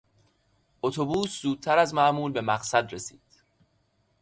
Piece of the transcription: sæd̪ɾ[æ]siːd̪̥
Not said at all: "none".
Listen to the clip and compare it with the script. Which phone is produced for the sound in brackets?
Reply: e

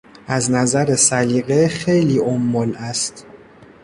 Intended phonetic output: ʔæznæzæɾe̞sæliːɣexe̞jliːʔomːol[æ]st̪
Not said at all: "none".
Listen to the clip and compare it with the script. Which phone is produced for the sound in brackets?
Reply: æ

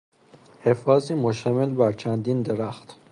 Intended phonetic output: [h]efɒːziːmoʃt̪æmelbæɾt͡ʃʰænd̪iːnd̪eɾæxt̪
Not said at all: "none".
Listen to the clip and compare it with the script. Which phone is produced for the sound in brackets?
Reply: h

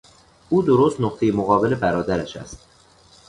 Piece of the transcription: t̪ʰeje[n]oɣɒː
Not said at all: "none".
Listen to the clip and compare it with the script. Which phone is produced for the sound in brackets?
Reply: m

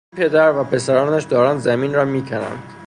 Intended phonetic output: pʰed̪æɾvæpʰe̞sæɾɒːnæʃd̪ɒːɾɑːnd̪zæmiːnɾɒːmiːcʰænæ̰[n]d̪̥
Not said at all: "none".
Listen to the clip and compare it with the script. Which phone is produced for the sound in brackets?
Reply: n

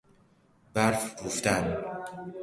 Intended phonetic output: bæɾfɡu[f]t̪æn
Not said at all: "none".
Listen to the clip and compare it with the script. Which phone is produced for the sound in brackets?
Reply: f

